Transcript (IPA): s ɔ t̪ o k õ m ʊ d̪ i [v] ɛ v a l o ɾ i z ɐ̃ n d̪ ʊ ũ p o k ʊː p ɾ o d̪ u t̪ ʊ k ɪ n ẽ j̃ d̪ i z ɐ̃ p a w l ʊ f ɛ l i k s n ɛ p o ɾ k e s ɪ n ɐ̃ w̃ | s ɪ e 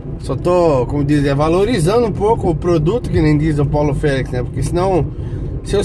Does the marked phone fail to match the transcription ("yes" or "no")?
yes